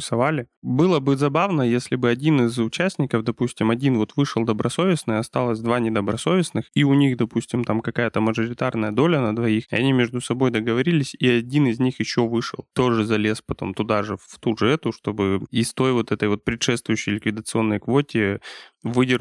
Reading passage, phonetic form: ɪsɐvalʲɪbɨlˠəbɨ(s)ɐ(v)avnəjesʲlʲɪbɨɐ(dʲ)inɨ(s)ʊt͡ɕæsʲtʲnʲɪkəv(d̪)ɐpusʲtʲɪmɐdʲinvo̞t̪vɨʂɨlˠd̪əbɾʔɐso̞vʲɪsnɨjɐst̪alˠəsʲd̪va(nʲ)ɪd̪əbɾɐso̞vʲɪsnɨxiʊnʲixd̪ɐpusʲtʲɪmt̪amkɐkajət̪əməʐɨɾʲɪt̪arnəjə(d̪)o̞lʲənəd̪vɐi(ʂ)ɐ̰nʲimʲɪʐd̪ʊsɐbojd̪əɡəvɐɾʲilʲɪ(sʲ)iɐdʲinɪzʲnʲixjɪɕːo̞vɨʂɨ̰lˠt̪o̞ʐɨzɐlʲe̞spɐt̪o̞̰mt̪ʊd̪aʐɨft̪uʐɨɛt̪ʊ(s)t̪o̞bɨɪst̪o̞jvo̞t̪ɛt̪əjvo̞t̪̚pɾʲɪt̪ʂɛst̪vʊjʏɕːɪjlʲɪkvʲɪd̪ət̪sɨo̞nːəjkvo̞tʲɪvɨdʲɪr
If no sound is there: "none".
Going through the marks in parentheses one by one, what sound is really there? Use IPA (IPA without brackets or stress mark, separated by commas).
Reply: z, b, dʲ, z, d̪, nʲ, d̪, x, sʲ, ʂ